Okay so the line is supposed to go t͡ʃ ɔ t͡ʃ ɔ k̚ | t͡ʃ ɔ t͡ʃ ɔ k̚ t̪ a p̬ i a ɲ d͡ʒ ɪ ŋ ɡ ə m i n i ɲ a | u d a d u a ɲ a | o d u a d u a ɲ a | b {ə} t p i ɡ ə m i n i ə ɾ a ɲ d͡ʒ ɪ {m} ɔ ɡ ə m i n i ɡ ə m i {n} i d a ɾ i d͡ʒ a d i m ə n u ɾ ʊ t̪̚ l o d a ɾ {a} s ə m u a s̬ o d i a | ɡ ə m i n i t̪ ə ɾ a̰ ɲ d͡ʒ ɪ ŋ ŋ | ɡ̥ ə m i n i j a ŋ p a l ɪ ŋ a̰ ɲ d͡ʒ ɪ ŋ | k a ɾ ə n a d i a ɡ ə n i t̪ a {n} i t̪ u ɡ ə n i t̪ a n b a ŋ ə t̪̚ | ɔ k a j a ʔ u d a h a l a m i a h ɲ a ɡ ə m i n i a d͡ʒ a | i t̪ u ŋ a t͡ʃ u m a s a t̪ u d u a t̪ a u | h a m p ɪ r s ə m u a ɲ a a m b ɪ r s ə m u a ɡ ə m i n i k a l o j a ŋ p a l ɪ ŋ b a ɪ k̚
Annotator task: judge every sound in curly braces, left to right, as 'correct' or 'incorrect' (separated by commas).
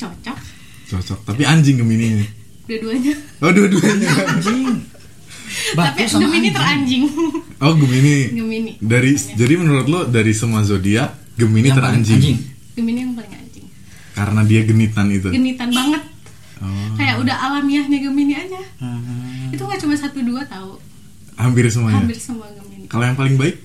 incorrect, incorrect, correct, incorrect, correct